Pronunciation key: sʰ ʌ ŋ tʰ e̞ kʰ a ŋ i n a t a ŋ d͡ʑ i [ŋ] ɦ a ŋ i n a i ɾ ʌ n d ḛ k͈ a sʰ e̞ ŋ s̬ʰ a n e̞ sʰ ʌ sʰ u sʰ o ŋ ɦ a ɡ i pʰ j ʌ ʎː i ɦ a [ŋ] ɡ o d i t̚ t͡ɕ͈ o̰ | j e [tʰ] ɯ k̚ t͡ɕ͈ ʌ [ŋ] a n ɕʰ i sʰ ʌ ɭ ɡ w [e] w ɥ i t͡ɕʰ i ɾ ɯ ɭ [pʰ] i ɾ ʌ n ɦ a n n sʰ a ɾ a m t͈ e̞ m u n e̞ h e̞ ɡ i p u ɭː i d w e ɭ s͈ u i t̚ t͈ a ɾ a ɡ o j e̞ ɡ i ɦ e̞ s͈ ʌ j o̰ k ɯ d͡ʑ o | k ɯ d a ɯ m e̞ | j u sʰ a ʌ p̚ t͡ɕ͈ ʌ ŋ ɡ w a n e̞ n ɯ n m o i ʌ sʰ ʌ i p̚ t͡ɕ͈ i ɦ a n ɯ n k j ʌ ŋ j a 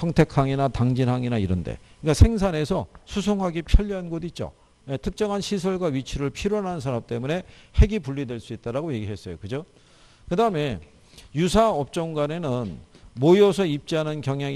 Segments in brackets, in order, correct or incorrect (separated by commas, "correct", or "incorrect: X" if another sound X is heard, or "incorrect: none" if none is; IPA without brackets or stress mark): incorrect: n, incorrect: n, correct, correct, incorrect: a, correct